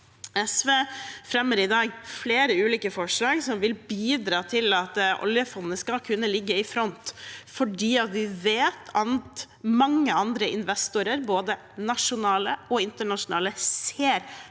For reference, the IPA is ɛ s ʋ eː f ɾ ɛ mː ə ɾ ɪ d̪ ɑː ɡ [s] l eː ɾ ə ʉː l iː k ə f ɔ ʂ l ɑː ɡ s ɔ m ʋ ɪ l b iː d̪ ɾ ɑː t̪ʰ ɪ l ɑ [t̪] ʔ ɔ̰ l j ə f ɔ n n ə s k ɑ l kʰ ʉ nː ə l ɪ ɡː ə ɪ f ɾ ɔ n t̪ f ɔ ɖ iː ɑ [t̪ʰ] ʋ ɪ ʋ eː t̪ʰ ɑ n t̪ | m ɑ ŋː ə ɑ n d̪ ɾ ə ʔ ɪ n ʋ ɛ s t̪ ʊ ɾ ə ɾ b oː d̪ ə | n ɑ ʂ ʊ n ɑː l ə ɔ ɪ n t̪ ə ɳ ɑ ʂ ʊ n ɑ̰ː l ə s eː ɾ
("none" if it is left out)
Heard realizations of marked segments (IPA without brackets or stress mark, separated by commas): f, t̪, t̪